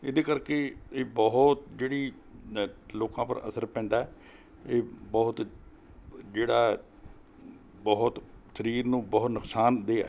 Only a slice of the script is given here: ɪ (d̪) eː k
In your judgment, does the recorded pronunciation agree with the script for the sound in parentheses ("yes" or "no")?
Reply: yes